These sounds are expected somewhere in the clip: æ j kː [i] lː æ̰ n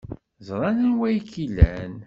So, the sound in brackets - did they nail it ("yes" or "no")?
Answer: yes